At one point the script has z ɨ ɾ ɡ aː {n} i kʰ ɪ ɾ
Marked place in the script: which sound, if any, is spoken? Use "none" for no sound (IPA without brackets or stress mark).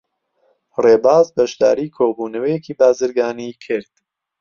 n